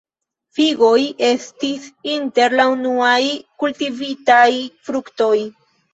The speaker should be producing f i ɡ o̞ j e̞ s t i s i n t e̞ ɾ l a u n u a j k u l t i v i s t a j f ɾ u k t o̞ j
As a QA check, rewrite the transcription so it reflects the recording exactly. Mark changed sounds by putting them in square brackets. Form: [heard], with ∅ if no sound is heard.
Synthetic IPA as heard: f i ɡ o̞ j e̞ s t i s i n t e̞ ɾ l a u n u a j k u l t i v i [∅] t a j f ɾ u k t o̞ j